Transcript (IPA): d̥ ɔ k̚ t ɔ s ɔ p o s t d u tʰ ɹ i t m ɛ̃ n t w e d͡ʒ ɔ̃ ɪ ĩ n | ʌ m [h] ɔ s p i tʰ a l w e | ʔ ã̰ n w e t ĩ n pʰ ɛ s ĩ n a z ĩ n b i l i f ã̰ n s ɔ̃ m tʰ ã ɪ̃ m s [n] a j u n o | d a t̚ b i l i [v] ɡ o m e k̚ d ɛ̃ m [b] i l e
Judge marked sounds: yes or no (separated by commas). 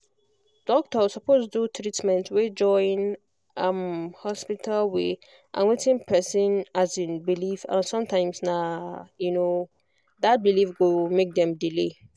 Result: yes, yes, no, no